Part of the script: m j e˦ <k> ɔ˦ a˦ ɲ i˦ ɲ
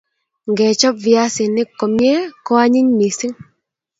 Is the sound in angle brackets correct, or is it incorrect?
correct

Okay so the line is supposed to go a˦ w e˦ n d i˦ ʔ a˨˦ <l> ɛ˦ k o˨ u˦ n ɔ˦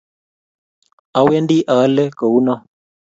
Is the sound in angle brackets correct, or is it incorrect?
correct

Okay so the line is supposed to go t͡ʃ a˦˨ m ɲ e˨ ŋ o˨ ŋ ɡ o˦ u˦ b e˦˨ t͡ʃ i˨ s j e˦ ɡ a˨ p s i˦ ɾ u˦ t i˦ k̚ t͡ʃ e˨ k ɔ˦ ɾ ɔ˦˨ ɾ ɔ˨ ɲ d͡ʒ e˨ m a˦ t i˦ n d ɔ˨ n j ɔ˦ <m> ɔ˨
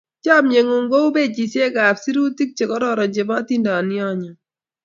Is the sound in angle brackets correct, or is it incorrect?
incorrect: ɲ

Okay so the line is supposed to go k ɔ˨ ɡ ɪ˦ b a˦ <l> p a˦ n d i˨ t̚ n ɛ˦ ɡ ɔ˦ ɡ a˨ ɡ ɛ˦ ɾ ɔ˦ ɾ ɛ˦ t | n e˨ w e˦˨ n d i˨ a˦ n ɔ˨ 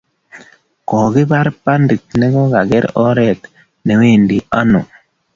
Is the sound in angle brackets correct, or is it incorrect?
incorrect: ɾ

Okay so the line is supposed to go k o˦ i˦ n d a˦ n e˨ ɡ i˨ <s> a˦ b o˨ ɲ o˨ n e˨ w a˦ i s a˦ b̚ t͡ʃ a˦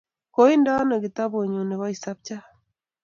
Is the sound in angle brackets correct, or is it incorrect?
incorrect: t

